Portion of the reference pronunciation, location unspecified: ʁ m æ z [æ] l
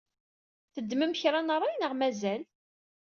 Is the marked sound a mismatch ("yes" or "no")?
no